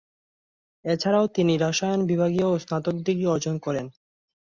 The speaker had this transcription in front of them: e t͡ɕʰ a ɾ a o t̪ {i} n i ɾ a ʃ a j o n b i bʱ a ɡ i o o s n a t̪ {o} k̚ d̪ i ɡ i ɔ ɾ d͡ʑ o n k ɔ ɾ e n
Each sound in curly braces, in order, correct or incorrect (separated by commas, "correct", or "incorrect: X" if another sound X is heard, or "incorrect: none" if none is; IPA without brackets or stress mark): correct, correct